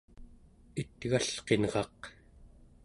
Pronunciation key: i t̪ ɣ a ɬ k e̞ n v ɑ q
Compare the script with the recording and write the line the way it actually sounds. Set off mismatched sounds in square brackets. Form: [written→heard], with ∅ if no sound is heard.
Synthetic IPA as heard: i t̪ ɣ a ɬ [k→q] e̞ n [v→ʁ] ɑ q

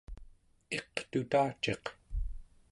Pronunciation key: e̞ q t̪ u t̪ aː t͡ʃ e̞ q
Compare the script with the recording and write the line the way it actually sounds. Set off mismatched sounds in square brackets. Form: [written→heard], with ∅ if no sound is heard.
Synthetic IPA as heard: e̞ q t̪ u t̪ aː t͡ʃ e̞ q

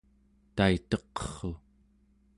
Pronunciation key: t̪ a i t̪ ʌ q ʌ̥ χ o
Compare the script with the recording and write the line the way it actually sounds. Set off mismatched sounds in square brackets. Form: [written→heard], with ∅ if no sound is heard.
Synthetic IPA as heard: t̪ a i t̪ ʌ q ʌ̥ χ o

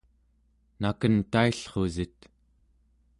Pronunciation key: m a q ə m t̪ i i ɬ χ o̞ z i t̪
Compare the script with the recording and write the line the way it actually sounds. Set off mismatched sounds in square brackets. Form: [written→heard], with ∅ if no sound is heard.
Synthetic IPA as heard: [m→n] a [q→k] ə [m→n] t̪ [i→a] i ɬ χ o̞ z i t̪

